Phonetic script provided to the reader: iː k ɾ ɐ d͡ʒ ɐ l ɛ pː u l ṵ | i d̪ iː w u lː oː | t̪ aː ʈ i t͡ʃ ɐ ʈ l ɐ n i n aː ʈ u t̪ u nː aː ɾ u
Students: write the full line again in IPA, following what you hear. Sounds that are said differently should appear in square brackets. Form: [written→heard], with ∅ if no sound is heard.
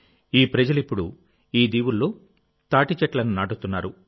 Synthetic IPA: iː [k→p] ɾ ɐ d͡ʒ ɐ l [ɛ→i] pː u [l→ɽ] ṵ | [i→iː] d̪ iː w u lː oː | t̪ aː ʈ i t͡ʃ ɐ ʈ l ɐ n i n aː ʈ u t̪ u nː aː ɾ u